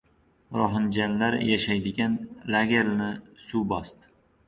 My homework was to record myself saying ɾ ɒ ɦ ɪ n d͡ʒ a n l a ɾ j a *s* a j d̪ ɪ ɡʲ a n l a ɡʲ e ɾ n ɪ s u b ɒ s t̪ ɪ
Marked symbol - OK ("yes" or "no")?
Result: no